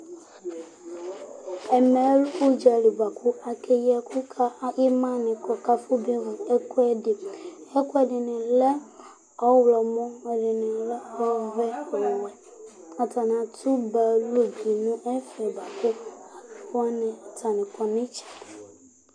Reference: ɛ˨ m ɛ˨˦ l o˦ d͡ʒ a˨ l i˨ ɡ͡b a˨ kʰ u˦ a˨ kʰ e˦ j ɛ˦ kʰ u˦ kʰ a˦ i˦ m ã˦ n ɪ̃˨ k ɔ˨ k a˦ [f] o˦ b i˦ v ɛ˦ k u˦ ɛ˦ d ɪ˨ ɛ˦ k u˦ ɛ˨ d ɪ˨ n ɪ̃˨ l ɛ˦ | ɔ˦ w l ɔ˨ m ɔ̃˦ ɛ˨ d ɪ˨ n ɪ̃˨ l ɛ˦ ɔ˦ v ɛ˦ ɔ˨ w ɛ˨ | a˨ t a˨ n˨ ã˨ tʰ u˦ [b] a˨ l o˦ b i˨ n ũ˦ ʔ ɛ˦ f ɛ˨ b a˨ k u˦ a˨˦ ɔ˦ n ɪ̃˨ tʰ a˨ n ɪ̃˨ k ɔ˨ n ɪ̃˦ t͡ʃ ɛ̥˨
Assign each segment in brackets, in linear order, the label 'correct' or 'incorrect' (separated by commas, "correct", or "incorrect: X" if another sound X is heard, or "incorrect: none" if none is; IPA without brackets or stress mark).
correct, correct